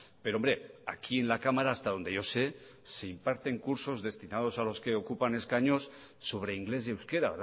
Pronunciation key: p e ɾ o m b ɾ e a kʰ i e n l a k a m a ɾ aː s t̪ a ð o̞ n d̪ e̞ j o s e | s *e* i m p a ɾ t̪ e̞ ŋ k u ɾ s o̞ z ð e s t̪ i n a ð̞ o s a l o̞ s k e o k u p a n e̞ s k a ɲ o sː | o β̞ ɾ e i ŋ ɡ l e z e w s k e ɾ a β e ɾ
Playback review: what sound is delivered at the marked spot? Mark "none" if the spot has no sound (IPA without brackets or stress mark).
e